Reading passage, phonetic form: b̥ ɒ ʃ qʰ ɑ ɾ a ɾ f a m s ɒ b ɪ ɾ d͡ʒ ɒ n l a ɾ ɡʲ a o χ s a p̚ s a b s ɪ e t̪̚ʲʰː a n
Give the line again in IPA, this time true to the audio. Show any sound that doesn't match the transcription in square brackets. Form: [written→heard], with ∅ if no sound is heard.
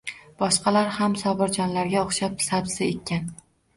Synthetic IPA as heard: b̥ ɒ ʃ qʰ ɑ [ɾ→l] a ɾ [f→h] a m s ɒ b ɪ ɾ d͡ʒ ɒ n l a ɾ ɡʲ a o χ [s→ʃ] a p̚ s a b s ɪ e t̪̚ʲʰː a n